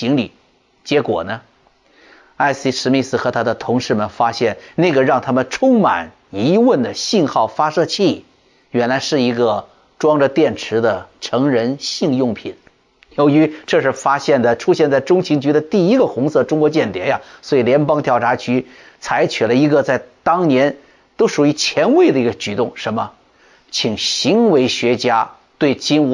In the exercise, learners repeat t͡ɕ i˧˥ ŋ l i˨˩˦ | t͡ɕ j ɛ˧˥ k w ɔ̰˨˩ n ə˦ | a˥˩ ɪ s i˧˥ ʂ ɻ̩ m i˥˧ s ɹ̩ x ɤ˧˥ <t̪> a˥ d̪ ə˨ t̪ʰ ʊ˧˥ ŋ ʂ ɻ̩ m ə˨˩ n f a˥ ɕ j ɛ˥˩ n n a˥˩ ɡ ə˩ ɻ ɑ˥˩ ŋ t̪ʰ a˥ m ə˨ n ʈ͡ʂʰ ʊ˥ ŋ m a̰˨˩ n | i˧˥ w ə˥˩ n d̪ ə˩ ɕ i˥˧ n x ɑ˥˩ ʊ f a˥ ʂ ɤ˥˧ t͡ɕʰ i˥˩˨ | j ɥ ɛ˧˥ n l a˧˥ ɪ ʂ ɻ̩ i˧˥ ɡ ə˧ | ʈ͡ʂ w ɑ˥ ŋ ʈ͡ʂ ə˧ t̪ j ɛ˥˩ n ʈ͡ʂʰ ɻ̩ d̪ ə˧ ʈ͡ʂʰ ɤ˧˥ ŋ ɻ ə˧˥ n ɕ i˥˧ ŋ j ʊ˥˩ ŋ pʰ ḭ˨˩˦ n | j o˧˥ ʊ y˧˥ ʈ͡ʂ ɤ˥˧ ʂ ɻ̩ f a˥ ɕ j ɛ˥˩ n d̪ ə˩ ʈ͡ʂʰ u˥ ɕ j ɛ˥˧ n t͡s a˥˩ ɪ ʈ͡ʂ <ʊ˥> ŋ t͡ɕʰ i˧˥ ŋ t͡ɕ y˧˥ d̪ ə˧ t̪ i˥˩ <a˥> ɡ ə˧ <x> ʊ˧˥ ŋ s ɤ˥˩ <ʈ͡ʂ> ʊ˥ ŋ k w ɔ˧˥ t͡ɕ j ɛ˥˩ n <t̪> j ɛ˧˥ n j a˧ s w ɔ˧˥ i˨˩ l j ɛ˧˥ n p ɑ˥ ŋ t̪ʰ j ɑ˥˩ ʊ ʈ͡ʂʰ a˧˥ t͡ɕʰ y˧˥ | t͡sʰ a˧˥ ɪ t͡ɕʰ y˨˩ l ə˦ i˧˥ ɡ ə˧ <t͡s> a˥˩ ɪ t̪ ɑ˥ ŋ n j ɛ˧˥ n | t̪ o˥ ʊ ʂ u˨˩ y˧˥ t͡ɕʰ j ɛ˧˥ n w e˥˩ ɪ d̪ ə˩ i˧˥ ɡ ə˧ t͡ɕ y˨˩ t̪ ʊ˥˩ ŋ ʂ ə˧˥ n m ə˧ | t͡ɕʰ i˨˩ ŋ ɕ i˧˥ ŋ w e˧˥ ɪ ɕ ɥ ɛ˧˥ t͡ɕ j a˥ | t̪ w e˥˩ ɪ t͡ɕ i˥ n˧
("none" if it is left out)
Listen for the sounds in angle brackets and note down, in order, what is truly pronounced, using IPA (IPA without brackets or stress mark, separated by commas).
t̪ʰ, ʊ˥, i˥, x, ʈ͡ʂ, t̪, t͡s